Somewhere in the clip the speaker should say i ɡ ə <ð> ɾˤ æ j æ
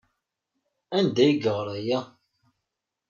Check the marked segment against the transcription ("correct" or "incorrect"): incorrect